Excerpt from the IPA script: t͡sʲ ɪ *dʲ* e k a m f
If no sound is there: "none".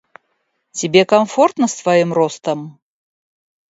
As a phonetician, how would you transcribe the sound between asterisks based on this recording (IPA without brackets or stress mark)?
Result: bʲ